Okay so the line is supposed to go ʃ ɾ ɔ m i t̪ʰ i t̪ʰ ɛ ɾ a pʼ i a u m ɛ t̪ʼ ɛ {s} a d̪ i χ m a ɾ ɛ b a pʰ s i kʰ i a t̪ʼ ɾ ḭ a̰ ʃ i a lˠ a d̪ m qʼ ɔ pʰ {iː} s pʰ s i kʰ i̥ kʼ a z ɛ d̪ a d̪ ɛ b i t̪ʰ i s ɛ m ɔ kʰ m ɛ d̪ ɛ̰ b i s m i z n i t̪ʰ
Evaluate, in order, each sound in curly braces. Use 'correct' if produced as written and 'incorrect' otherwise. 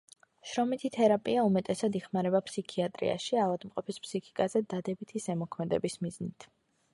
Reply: correct, incorrect

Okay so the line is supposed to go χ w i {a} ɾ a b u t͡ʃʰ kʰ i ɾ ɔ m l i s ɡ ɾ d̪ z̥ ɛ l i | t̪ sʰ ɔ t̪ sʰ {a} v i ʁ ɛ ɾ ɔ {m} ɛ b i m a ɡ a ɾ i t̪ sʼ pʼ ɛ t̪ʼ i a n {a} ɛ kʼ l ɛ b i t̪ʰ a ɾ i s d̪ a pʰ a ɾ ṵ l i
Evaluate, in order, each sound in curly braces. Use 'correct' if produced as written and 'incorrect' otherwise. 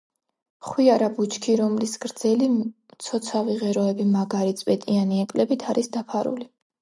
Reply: correct, correct, incorrect, incorrect

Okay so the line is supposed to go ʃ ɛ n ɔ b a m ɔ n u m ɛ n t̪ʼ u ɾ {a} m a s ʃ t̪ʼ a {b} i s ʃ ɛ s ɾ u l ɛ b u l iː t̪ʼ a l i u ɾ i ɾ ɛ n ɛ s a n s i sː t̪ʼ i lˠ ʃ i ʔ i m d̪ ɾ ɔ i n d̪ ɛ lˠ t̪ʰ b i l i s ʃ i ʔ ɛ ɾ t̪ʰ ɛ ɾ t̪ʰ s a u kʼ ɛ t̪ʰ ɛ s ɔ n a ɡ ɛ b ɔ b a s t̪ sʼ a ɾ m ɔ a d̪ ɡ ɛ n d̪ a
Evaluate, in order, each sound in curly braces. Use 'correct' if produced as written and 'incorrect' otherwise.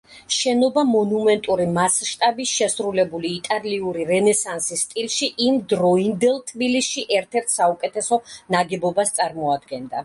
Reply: incorrect, correct

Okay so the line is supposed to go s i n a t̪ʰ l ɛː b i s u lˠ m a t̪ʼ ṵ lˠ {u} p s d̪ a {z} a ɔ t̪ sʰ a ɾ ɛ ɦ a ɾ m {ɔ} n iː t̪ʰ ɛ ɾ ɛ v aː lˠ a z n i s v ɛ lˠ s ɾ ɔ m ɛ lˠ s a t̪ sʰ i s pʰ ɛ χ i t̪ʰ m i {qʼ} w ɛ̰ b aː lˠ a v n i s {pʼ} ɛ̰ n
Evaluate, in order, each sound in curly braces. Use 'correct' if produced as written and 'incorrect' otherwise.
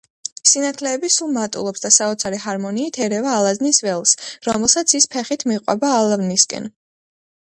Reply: incorrect, incorrect, correct, correct, incorrect

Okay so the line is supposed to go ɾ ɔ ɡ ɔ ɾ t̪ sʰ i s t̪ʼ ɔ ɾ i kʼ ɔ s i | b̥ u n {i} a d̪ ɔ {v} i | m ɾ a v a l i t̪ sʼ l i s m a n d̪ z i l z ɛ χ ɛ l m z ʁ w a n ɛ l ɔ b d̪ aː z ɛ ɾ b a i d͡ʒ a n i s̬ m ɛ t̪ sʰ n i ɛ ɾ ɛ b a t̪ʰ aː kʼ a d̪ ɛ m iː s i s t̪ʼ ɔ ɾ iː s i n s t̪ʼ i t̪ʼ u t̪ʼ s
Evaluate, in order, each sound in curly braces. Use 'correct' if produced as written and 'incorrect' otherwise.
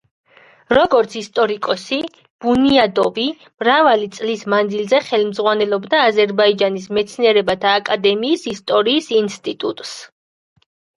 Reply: correct, correct

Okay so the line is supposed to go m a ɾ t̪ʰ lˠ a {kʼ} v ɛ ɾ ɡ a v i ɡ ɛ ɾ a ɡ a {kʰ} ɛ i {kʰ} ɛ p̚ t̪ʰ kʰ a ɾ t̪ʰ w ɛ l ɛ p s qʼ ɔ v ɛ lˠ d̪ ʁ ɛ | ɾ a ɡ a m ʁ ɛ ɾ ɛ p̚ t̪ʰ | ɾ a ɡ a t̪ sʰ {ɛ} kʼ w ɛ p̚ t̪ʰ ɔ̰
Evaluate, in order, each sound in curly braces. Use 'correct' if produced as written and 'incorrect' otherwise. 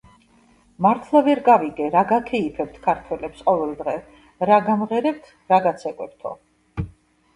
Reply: incorrect, correct, incorrect, correct

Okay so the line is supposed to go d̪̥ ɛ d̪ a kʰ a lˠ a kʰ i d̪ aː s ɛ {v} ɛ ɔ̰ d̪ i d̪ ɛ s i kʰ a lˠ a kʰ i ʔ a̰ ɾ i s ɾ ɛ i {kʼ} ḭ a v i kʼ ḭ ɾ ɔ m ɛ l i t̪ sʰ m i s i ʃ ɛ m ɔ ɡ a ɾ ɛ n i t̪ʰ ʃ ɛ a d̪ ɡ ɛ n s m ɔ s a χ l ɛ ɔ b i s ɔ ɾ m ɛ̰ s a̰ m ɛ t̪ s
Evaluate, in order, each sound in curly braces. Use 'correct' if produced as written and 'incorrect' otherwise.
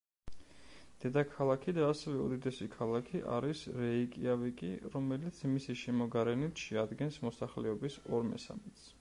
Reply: correct, correct

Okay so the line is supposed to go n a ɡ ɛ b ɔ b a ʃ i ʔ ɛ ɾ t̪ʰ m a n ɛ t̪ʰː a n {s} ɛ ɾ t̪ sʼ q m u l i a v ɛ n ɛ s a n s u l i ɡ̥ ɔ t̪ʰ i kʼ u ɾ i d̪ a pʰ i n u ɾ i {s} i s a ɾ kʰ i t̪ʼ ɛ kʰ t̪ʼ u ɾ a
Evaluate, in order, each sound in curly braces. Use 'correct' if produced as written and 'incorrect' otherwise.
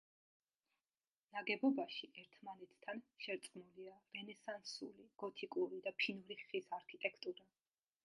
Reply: incorrect, incorrect

